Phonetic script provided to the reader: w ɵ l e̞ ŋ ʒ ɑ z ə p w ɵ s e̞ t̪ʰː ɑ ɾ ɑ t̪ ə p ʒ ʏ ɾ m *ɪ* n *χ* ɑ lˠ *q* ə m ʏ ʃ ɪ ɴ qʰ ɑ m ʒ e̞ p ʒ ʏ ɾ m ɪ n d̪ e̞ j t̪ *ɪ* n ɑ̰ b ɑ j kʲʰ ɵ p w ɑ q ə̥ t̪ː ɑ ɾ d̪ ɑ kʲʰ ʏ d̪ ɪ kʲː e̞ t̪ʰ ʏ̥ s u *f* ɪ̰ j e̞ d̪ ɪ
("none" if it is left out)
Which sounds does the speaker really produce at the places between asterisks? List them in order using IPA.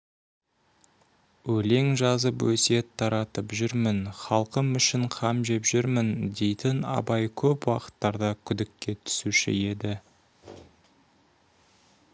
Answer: ɪ, χ, q, ɪ, ʃ

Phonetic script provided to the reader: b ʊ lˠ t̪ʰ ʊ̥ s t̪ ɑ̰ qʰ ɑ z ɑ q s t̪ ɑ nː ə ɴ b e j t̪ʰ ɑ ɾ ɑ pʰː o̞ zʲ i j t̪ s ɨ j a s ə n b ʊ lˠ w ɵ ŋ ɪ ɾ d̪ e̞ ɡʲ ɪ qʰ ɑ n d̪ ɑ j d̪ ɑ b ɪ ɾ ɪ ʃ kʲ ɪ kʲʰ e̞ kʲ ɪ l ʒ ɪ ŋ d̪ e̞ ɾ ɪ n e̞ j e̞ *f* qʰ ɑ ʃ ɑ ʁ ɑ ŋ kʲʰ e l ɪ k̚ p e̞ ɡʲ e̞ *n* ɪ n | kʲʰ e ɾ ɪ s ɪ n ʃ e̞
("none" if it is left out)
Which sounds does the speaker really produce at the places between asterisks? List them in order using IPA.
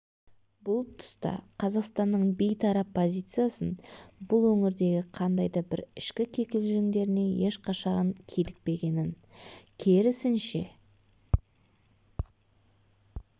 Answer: ʃ, n

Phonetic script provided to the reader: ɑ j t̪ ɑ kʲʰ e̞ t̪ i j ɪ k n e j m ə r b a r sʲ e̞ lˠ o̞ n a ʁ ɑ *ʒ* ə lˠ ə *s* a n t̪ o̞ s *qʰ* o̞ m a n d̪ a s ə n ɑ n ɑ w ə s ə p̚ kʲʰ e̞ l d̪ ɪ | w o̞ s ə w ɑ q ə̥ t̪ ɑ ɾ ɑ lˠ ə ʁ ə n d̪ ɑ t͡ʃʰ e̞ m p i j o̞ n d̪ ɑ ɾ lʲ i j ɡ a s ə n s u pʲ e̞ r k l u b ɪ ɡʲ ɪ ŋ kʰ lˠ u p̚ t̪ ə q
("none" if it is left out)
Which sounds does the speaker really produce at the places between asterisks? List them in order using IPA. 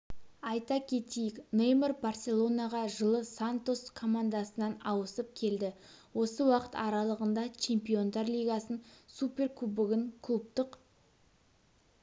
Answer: ʒ, s, kʰ

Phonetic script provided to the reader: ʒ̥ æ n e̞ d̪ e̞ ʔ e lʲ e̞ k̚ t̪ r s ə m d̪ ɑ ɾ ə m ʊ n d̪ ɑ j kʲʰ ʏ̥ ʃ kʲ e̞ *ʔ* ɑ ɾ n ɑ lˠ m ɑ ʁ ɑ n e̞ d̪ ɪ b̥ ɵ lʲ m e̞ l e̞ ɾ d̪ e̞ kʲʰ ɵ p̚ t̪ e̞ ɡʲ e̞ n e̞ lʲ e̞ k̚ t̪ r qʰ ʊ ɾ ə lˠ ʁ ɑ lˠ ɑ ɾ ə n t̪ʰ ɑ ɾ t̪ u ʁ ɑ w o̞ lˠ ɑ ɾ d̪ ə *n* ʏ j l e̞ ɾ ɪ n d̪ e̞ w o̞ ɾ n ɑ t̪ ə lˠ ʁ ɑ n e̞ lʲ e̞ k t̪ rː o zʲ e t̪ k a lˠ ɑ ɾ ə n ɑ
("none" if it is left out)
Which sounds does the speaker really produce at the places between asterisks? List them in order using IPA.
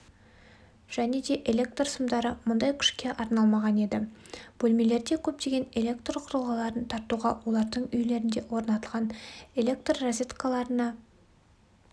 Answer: ʔ, ɴ

